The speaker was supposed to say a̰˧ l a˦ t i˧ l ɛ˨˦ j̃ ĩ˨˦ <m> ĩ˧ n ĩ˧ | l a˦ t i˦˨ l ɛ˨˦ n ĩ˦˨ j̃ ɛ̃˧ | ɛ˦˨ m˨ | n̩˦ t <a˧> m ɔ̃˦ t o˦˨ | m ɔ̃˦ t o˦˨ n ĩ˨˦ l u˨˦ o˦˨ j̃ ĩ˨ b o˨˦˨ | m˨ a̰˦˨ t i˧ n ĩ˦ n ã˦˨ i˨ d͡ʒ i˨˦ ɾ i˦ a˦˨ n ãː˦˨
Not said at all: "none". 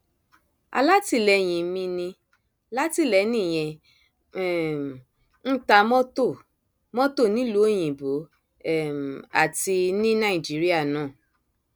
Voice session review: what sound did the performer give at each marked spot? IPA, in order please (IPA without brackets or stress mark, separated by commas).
m, a˧